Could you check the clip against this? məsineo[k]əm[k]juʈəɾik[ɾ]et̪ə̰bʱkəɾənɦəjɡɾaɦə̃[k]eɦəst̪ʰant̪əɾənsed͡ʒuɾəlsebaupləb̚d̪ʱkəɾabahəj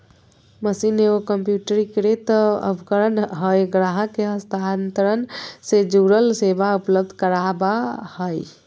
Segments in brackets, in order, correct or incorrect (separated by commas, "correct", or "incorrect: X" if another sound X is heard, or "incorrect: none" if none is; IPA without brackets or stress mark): correct, incorrect: p, correct, correct